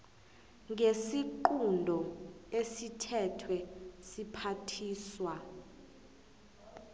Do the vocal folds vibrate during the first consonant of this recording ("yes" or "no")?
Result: yes